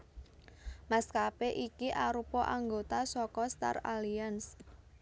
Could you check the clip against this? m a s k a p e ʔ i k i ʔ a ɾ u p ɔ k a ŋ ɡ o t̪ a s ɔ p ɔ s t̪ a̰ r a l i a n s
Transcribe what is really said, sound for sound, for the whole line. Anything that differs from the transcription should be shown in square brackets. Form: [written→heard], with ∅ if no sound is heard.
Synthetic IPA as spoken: m a s k a p e ʔ i k i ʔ a ɾ u p ɔ [k→ʔ] a ŋ ɡ o t̪ a s ɔ [p→k] ɔ s t̪ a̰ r a l i a n s